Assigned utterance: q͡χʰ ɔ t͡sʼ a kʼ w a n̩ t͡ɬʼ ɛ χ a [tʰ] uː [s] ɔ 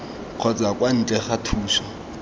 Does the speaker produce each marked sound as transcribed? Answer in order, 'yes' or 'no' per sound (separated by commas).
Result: yes, no